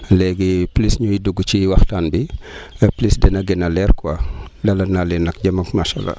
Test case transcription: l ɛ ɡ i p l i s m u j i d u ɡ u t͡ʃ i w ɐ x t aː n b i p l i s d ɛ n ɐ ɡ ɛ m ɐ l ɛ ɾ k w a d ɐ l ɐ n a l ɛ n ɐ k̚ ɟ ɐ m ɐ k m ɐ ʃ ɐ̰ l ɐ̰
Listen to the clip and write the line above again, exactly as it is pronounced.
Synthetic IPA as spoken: l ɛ ɡ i p l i s ɲ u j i d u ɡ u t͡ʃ i w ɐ x t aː n b i p l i s d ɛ n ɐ ɡ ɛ n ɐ l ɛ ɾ k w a d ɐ l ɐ n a l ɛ n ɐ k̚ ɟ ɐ m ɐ k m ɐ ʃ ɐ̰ l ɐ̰